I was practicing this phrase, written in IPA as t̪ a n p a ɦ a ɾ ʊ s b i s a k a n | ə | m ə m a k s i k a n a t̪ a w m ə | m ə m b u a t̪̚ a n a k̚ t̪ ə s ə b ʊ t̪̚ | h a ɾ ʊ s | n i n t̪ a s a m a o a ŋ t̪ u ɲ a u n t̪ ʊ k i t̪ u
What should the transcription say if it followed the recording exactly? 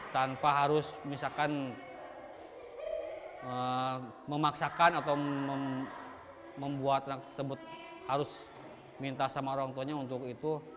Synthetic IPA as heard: t̪ a n p a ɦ a ɾ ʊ s m i s a k a n | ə | m ə m a k s a k a n a t̪ a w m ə | m ə m b u a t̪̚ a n a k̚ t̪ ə s ə b ʊ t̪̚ | h a ɾ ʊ s | m i n t̪ a s a m a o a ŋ t̪ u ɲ a u n t̪ ʊ k i t̪ u